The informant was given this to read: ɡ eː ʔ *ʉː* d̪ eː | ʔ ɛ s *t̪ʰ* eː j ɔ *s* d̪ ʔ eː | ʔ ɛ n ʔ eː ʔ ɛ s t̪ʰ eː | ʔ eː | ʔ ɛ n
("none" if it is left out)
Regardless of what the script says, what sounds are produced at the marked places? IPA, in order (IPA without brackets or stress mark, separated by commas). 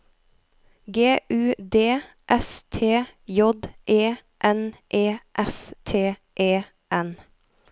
ʉː, t̪ʰ, none